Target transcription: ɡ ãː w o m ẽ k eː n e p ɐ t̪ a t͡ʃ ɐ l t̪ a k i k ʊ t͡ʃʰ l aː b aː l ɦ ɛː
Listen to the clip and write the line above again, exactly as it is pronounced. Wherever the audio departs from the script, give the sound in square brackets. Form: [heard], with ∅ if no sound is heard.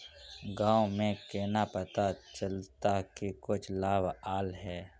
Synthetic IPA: ɡ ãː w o m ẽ k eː n [a] p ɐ t̪ a t͡ʃ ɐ l t̪ a k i k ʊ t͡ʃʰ l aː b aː l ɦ ɛː